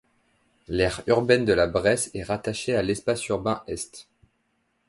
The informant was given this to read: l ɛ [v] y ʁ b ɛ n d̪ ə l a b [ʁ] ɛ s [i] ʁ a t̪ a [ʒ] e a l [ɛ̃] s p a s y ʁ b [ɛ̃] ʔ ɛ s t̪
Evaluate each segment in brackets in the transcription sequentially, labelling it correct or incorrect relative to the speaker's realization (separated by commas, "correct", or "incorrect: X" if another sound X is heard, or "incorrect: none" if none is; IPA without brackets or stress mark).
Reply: incorrect: ʁ, correct, incorrect: ɛ, incorrect: ʃ, incorrect: ɛ, correct